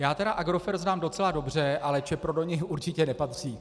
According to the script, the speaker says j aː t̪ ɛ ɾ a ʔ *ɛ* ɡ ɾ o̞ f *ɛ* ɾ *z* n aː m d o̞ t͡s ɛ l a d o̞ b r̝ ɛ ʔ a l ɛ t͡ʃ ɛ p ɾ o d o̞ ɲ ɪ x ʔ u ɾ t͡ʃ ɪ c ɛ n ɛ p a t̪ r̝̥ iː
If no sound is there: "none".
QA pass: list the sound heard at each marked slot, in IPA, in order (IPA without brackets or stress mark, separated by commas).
a, ɛ, z